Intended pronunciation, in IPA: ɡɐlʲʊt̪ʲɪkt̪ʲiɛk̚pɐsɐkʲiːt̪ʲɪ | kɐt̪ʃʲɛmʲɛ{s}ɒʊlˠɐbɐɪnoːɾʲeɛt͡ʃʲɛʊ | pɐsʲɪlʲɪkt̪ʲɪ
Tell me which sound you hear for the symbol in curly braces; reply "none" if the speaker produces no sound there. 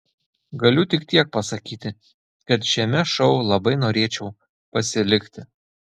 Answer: ʃ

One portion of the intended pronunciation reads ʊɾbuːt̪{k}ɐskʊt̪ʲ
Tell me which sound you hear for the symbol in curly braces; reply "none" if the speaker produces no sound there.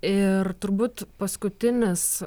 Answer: p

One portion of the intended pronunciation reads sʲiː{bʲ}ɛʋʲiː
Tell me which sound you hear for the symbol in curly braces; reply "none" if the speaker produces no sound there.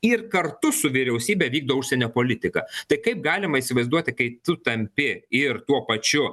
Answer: bʲ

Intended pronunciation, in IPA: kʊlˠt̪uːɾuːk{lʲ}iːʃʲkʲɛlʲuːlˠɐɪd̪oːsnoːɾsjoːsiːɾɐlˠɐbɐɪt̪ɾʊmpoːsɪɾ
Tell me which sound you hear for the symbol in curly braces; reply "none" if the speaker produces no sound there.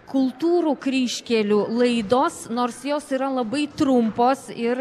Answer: ɾʲ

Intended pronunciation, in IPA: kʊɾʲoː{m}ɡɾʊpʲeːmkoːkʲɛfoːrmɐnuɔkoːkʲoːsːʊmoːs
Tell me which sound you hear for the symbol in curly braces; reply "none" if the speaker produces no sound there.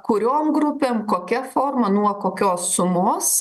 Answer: m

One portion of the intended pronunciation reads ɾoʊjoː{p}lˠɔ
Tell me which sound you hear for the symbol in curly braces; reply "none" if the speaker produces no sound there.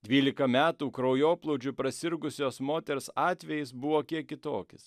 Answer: p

